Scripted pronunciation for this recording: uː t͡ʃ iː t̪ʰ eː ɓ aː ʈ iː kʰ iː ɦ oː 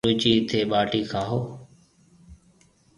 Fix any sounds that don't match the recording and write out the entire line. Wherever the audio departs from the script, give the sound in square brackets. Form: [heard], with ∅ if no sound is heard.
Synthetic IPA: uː t͡ʃ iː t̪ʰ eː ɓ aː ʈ iː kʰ [aː] ɦ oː